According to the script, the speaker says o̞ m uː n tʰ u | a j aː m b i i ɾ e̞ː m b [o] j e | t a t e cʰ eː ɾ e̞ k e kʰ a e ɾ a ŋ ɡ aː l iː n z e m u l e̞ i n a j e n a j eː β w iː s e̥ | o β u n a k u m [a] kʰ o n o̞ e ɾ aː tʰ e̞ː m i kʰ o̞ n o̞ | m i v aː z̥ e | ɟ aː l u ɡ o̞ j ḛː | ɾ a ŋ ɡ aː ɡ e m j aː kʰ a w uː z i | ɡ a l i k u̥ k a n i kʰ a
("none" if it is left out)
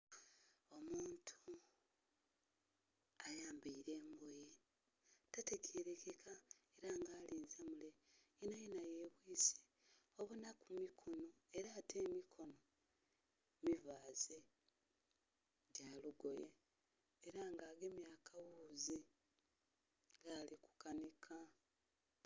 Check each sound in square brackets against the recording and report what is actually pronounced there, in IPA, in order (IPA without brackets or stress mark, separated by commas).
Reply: o, i